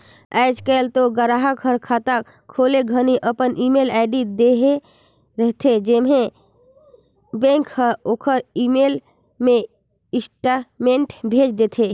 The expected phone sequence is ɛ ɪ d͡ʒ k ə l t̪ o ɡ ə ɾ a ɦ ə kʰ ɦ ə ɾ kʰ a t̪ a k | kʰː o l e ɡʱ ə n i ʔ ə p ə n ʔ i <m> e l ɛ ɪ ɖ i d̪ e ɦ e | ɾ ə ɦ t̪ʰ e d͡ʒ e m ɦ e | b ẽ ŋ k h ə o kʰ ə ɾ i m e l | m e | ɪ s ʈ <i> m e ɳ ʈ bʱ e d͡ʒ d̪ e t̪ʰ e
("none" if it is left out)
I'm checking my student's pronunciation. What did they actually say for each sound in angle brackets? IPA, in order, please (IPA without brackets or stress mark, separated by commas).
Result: m, a